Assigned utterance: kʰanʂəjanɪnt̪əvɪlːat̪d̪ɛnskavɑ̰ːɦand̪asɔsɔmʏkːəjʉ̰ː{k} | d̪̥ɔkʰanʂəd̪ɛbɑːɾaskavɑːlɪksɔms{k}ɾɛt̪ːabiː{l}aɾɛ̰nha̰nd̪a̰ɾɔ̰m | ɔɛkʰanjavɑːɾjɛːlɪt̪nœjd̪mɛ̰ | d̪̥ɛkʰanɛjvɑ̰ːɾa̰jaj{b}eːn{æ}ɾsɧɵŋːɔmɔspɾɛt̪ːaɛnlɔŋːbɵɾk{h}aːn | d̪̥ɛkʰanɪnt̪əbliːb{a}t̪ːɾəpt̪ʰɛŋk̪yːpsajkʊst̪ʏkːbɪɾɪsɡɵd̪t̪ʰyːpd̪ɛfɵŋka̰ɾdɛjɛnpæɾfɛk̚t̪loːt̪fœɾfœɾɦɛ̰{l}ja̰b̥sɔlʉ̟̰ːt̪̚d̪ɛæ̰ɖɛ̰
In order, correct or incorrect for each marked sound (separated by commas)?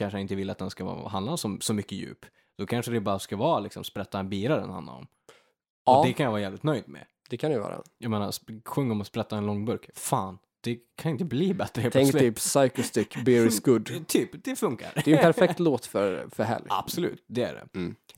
incorrect, incorrect, incorrect, incorrect, incorrect, incorrect, incorrect, correct